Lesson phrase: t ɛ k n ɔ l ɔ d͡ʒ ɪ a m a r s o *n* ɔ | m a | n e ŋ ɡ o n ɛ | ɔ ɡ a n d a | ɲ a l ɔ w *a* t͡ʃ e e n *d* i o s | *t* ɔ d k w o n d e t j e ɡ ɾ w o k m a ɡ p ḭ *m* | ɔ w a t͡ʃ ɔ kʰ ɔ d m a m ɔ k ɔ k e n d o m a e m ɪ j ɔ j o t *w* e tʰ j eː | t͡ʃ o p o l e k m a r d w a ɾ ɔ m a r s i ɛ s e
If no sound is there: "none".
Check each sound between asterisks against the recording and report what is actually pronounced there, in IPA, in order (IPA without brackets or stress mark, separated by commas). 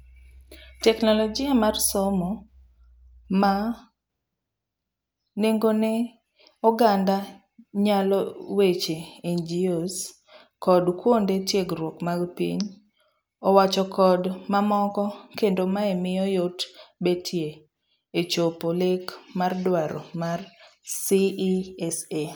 m, e, d͡ʒ, k, ɲ, b